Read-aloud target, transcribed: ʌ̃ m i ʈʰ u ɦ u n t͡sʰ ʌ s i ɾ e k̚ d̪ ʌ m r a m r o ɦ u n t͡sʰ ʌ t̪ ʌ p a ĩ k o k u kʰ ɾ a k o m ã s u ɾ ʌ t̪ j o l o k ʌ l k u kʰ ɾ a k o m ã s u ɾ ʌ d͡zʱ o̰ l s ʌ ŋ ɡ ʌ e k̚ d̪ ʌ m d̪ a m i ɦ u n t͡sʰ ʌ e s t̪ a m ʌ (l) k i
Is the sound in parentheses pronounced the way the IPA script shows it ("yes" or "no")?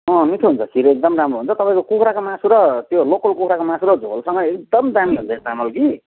yes